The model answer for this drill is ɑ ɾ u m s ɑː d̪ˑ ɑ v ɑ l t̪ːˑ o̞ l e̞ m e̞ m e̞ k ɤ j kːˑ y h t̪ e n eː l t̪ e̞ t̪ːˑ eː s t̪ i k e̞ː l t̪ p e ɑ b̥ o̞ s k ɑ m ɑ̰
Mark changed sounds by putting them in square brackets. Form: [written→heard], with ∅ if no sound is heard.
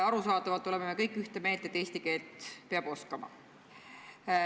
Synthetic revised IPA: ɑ ɾ u [m→∅] s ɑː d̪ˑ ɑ v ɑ l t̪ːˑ o̞ l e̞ m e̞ m e̞ k ɤ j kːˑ y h t̪ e [n→m] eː l t̪ e̞ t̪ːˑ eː s t̪ i k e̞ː l t̪ p e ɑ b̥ o̞ s k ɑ m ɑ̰